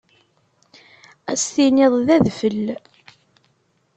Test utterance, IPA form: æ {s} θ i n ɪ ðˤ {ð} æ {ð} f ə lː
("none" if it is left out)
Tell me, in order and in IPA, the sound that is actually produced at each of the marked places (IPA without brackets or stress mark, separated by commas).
s, ð, ð